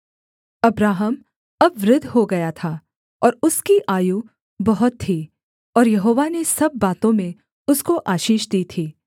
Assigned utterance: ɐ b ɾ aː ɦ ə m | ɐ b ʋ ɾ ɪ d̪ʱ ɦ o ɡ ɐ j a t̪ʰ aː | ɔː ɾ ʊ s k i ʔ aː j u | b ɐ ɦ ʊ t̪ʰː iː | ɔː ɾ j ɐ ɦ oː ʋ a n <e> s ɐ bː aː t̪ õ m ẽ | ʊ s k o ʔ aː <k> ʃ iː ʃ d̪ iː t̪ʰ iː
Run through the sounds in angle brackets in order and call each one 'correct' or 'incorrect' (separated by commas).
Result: correct, incorrect